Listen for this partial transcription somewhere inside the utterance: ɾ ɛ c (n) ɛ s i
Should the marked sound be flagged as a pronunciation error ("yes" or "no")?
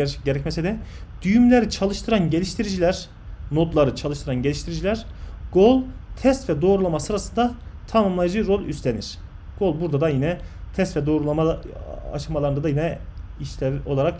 yes